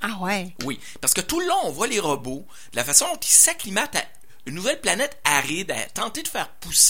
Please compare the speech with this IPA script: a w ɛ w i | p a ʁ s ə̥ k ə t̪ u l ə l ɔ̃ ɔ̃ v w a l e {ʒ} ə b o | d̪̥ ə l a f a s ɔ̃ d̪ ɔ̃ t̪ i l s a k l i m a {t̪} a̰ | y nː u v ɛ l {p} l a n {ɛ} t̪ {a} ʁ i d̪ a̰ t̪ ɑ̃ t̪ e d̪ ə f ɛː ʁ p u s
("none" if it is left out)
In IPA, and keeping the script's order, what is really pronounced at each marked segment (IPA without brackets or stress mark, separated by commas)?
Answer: ʁ, t̪, p, ɛ, a